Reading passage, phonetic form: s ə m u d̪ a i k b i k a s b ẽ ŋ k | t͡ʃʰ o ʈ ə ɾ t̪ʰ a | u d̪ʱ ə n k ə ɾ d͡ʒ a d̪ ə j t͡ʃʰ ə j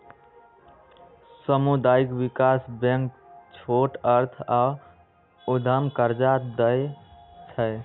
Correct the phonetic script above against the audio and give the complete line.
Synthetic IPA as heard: s ə m u d̪ a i k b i k a s b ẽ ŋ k | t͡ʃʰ o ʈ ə ɾ t̪ʰ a | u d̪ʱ ə m k ə ɾ d͡ʒ a d̪ ə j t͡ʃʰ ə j

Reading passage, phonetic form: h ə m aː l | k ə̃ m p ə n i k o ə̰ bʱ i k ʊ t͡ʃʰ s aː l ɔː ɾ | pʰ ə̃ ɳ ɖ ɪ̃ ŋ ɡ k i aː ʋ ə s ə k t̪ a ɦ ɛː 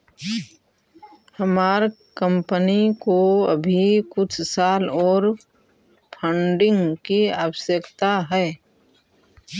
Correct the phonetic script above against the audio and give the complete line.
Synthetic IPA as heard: h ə m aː ɾ | k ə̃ m p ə n i k o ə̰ bʱ i k ʊ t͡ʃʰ s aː l ɔː ɾ | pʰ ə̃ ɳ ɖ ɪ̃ ŋ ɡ k i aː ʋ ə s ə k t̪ a ɦ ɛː

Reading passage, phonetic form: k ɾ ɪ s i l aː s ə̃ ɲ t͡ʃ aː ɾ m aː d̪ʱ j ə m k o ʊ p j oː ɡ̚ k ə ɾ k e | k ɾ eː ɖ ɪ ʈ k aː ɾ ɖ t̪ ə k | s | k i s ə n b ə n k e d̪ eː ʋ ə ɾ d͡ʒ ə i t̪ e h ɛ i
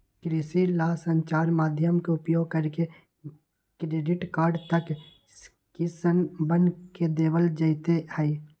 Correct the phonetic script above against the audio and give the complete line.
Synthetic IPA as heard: k ɾ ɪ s i l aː s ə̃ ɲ t͡ʃ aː ɾ m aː d̪ʱ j ə m k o ʊ p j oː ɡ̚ k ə ɾ k e | k ɾ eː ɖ ɪ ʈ k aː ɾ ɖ t̪ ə k | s | k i s ə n b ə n k e d̪ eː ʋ ə l d͡ʒ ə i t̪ e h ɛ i

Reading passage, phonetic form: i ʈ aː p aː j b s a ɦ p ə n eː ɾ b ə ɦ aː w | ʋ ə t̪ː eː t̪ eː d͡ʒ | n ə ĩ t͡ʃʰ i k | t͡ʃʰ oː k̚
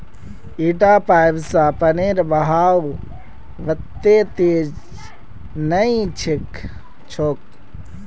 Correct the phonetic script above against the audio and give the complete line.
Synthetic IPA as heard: i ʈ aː p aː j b s a p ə n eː ɾ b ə ɦ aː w | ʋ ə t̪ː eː t̪ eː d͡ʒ | n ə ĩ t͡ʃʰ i k | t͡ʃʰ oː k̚

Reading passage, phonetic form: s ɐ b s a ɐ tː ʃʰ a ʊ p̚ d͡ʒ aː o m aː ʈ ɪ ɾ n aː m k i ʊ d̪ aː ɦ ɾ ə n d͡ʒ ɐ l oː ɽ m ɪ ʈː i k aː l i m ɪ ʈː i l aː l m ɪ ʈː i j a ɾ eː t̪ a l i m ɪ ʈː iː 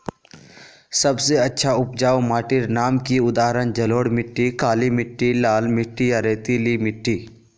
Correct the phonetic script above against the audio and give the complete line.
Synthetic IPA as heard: s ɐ b s e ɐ tː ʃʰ a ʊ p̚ d͡ʒ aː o m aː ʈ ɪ ɾ n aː m k i ʊ d̪ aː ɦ ɾ ə n d͡ʒ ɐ l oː ɽ m ɪ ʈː i k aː l i m ɪ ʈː i l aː l m ɪ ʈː i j a ɾ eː t̪ i l i m ɪ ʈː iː

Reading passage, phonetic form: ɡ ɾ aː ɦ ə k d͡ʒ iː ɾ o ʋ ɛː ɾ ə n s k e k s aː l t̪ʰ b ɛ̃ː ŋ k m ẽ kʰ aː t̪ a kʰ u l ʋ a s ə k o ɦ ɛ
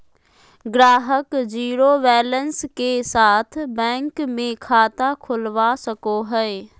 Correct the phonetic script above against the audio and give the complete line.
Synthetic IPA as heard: ɡ ɾ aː ɦ ə k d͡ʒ iː ɾ o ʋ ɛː l ə n s k e s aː t̪ʰ b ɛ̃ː ŋ k m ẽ kʰ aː t̪ a kʰ ʊ l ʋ a s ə k o ɦ ɛ

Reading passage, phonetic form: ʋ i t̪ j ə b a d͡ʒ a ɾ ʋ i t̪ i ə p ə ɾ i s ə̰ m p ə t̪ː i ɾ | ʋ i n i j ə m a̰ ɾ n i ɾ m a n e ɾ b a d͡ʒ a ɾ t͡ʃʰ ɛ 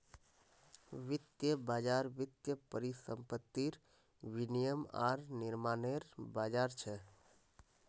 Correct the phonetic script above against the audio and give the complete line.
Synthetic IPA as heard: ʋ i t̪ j ə b a d͡ʒ a ɾ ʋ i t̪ j ə p ə ɾ i s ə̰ m p ə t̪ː i ɾ | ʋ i n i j ə m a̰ ɾ n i ɾ m a n e ɾ b a d͡ʒ a ɾ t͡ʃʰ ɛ

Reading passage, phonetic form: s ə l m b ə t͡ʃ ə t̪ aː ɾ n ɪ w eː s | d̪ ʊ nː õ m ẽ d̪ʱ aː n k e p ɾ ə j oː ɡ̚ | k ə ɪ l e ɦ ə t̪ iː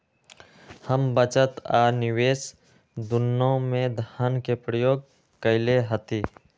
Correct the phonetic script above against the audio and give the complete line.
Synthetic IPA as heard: h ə m b ə t͡ʃ ə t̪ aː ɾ n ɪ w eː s | d̪ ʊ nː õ m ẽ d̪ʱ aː n k e p ɾ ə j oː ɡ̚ | k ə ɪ l e ɦ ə t̪ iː

